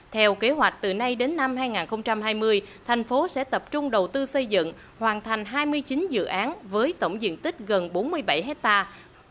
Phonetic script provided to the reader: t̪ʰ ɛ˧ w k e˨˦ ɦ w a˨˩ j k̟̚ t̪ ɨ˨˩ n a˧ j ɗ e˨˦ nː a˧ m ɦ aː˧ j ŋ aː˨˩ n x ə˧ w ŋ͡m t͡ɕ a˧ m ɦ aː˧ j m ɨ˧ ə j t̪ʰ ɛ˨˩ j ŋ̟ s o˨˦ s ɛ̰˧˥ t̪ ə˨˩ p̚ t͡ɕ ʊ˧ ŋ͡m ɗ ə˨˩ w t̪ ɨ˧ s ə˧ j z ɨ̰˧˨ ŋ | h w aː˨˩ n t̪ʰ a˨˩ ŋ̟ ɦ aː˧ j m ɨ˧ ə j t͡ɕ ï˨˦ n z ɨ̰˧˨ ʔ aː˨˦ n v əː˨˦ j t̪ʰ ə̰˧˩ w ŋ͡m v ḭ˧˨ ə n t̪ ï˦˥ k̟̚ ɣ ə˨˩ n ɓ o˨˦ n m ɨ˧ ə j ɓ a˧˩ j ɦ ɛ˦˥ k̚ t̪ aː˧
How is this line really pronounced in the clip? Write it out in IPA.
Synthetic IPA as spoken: t̪ʰ ɛ˧ w k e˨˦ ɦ w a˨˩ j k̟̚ t̪ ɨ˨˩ n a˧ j ɗ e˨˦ nː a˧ m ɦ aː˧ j ŋ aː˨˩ n x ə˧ w ŋ͡m t͡ɕ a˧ m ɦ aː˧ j m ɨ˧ ə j t̪ʰ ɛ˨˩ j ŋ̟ f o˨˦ s ɛ̰˧˥ t̪ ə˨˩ p̚ t͡ɕ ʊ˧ ŋ͡m ɗ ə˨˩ w t̪ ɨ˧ s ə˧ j z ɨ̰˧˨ ŋ | h w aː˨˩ n t̪ʰ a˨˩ ŋ̟ ɦ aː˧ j m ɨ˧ ə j t͡ɕ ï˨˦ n z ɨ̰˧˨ ʔ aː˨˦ n v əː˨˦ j t̪ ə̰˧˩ w ŋ͡m z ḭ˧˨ ə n t̪ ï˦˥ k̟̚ ɣ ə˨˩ n ɓ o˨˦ n m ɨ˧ ə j ɓ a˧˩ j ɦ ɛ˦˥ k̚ t̪ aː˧

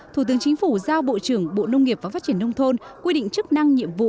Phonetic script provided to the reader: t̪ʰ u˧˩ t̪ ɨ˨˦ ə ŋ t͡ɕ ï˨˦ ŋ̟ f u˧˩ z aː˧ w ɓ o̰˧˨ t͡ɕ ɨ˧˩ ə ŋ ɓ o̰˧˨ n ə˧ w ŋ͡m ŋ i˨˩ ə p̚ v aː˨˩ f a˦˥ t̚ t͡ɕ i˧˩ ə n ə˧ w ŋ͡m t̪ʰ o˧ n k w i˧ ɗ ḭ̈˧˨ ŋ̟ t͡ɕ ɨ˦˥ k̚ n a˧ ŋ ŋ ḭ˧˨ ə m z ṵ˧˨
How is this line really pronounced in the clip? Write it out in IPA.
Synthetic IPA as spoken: t̪ʰ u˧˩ t̪ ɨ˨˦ ə ŋ t͡ɕ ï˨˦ ŋ̟ f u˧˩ z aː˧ w ɓ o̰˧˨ t͡ɕ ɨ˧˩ ə ŋ ɓ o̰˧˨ n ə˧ w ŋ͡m ŋ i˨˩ ə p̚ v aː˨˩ f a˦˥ t̚ t͡ɕ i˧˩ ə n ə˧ w ŋ͡m t̪ʰ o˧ n k w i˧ ɗ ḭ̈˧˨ ŋ̟ t͡ɕ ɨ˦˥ k̚ n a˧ ŋ ɲ ḭ˧˨ ə m v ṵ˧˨

